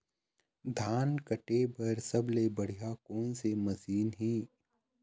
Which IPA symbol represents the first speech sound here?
d̪ʱ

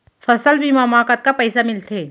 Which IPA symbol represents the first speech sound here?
f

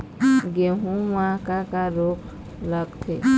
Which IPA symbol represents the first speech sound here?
ɡ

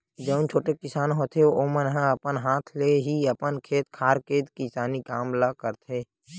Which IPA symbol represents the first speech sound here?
d͡ʒ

